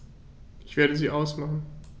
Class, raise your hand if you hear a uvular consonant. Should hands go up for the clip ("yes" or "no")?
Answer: yes